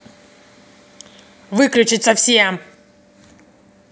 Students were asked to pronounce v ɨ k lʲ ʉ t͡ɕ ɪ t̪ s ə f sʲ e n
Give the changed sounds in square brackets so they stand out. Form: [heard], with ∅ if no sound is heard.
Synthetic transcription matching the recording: v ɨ k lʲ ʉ t͡ɕ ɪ t̪ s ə f sʲ e [m]